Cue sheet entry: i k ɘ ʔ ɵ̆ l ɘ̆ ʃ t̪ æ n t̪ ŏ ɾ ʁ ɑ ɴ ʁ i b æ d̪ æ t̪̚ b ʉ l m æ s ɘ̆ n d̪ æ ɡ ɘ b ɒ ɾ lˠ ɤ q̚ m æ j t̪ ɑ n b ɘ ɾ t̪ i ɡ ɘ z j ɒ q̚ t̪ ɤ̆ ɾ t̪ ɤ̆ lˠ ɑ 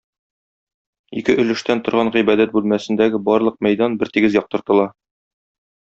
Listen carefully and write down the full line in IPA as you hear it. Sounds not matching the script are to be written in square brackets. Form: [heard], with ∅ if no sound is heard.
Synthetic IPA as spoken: i k ɘ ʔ ɵ̆ l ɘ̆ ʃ t̪ æ n t̪ ŏ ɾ ʁ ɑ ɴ ʁ i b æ d̪ æ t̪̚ b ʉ l m æ s ɘ̆ n d̪ æ ɡ ɘ b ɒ ɾ lˠ ɤ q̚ m æ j [d̪] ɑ n b ɘ ɾ t̪ i ɡ ɘ z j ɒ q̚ t̪ ɤ̆ ɾ t̪ ɤ̆ lˠ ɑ